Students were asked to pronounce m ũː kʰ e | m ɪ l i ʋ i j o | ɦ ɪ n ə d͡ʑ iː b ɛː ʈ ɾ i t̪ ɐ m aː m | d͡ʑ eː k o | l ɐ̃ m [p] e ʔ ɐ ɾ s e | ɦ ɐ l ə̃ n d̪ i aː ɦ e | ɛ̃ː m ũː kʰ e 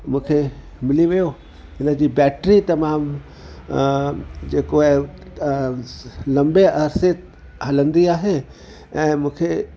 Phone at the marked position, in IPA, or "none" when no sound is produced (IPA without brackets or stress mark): b